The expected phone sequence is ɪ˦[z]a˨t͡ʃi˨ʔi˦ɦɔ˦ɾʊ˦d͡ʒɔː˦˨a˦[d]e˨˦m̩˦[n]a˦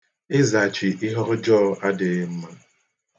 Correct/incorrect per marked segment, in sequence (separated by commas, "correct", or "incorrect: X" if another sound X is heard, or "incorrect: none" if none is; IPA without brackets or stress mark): correct, correct, incorrect: m